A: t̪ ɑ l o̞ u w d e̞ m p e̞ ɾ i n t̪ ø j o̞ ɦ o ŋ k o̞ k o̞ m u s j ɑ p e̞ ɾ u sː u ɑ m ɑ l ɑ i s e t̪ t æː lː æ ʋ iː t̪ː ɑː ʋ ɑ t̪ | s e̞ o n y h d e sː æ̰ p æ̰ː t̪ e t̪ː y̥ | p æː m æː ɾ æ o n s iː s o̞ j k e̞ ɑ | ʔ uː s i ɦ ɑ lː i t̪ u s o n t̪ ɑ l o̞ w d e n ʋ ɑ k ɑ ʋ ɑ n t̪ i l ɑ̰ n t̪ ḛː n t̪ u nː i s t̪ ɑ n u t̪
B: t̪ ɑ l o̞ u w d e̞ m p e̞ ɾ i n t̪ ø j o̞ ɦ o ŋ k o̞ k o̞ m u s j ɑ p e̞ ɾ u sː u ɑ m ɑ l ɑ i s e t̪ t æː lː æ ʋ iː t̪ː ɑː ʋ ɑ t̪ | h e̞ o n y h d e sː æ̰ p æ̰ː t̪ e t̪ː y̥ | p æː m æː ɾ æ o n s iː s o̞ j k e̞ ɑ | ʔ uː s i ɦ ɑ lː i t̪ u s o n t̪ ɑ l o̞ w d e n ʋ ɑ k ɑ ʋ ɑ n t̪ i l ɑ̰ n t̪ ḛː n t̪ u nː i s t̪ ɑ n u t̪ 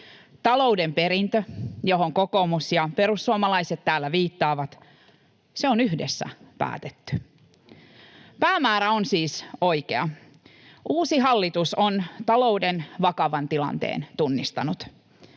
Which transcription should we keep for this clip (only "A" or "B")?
A